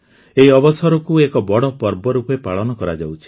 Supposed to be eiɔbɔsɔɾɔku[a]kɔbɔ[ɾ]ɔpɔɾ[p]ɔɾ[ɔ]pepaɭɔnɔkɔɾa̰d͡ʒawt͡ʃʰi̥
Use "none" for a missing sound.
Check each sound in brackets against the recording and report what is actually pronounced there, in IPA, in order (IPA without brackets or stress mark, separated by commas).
e, ɽ, b, u